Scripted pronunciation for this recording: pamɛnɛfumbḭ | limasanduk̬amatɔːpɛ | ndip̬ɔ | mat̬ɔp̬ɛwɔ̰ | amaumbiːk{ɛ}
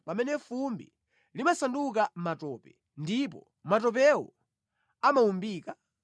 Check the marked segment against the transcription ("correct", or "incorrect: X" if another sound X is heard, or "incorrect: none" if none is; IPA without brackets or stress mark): incorrect: a